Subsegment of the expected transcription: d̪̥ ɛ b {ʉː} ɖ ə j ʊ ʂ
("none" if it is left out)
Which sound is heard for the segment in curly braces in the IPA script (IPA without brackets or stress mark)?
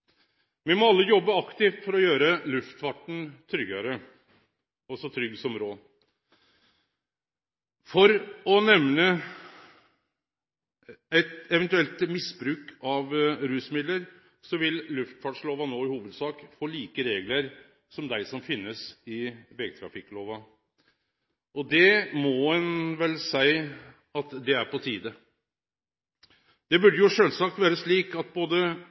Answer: ʉ